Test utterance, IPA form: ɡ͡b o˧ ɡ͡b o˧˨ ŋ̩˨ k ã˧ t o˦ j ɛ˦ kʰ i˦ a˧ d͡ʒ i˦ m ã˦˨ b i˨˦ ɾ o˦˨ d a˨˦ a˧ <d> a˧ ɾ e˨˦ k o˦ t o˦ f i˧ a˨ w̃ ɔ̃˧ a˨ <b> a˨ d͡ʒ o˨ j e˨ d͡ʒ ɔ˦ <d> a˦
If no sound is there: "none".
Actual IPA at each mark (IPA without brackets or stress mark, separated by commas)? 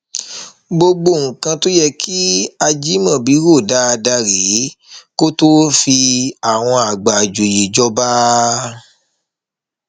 d, ɡ͡b, b